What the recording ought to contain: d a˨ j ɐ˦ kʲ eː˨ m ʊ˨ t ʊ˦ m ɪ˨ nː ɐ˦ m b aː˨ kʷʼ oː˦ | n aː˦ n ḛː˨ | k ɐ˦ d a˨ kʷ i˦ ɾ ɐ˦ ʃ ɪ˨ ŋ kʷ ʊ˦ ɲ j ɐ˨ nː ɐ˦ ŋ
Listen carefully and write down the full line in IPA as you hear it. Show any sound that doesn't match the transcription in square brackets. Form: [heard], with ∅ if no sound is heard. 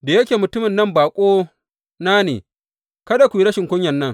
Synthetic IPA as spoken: d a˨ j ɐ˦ kʲ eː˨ m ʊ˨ t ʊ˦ m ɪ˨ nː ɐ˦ m b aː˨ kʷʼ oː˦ | n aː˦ n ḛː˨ | k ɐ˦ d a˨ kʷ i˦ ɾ ɐ˦ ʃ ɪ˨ ŋ kʷ ʊ˦ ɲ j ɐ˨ nː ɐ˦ ŋ